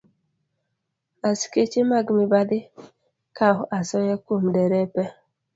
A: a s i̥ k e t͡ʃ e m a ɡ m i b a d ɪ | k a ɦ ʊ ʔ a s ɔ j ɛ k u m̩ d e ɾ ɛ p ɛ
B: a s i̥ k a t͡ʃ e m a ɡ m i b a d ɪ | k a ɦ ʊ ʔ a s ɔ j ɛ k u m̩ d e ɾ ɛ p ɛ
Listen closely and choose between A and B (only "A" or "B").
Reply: A